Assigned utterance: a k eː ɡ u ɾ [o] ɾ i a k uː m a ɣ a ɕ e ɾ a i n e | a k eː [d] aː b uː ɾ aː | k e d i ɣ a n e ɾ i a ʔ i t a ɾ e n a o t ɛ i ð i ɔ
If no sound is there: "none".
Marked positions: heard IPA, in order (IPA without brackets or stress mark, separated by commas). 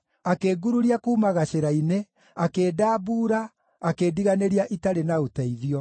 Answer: u, d